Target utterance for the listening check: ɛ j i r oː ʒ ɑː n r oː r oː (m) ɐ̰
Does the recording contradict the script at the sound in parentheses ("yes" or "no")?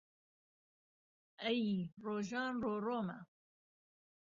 no